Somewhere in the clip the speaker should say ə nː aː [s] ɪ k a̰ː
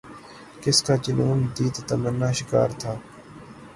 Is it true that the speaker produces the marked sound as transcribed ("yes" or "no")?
no